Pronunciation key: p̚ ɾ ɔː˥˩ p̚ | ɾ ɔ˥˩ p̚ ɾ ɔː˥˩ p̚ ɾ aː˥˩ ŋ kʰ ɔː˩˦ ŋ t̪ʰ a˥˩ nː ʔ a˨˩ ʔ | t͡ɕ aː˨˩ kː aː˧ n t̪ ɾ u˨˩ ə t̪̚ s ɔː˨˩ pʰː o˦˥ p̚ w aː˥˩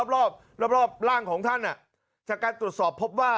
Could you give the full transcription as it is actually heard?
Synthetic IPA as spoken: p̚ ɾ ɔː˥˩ p̚ | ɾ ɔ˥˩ p̚ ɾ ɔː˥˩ p̚ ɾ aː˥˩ ŋ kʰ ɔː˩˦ ŋ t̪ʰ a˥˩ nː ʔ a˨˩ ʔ | t͡ɕ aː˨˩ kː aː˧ n t̪ ɾ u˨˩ ə t̪̚ s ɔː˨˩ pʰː o˦˥ p̚ w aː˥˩